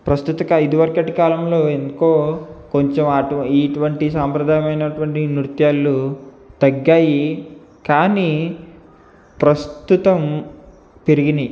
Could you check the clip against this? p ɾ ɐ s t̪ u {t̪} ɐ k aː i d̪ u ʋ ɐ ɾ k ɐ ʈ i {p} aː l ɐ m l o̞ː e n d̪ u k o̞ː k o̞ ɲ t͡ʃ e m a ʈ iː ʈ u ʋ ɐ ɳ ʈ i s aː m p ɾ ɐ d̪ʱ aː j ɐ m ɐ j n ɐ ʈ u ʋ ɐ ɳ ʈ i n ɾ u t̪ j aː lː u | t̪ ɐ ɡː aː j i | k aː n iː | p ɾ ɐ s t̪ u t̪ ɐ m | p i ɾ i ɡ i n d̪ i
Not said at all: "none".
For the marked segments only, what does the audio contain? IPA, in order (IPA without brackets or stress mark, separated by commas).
t̪, k